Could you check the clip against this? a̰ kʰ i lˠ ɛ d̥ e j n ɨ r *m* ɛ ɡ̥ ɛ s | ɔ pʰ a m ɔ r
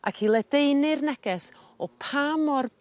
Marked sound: incorrect: n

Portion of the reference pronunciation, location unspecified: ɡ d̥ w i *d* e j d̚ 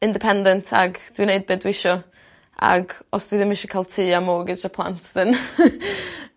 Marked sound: incorrect: n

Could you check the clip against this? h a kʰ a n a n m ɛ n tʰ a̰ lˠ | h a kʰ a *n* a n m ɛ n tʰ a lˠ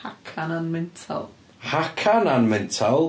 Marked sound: correct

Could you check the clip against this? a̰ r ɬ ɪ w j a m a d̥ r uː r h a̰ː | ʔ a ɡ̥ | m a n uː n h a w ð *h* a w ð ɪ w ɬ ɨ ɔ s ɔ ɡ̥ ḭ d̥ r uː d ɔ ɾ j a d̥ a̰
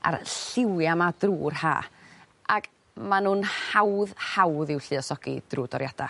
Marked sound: correct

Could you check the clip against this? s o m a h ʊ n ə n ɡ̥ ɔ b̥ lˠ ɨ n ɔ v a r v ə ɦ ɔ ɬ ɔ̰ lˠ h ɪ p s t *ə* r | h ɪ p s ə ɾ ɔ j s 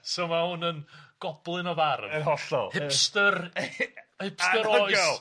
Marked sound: correct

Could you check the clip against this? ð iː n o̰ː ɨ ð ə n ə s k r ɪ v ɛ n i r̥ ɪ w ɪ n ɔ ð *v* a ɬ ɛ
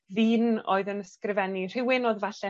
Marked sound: correct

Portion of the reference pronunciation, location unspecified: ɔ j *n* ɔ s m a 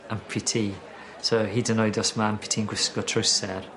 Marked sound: incorrect: d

